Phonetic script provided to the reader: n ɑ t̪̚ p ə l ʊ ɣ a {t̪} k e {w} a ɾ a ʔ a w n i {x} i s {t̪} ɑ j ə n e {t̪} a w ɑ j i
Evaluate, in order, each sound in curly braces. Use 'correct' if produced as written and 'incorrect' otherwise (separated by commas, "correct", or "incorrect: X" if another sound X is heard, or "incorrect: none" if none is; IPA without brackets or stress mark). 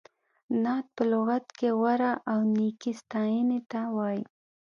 correct, correct, incorrect: k, correct, correct